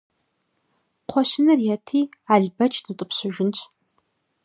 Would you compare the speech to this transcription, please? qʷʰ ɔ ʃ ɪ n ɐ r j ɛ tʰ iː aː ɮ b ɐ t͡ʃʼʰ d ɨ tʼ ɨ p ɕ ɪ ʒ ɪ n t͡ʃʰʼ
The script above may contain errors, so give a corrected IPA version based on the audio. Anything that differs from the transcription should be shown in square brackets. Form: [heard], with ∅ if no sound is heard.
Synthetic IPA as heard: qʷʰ ɔ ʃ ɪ n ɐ r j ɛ tʰ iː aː ɮ b ɐ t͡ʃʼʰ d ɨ tʼ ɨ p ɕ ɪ ʒ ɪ n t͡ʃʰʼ